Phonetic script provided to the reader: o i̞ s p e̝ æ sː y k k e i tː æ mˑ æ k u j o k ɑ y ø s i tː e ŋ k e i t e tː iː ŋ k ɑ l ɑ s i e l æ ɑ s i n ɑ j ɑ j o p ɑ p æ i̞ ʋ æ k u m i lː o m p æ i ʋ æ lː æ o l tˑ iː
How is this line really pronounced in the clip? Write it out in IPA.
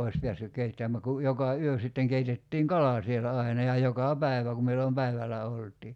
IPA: o i̞ s p e̝ æ sː y k k e i tː æ mˑ æ k u j o k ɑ y ø s i tː e ŋ k e i t e tː iː ŋ k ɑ l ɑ s i e l æ ɑ i n ɑ j ɑ j o k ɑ p æ i̞ ʋ æ k u m i lː o m p æ i ʋ æ l æ o l tˑ iː